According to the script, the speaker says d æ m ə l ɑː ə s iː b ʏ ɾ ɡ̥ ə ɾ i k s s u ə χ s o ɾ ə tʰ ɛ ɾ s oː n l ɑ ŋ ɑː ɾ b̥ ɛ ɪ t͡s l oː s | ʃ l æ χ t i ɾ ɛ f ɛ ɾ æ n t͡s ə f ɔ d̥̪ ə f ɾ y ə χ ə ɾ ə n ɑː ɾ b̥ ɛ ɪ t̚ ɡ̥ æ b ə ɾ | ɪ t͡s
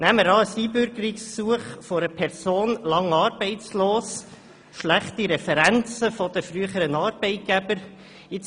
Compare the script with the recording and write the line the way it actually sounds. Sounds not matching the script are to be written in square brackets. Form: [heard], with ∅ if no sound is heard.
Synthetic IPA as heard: [n] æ m ə [ɾ] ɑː ə s iː b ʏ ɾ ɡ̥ ə ɾ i k s s u ə χ [f] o ɾ ə [pʰ] ɛ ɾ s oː n l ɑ ŋ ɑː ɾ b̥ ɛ ɪ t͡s l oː s | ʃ l æ χ t i ɾ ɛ f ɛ ɾ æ n t͡s ə f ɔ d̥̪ ə f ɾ y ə χ ə ɾ ə n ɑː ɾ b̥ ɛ ɪ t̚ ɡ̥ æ b ə ɾ | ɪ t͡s